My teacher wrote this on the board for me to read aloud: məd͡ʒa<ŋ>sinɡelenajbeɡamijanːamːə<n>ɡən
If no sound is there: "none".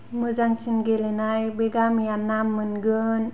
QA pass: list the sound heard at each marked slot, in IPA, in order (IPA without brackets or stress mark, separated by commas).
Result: ŋ, n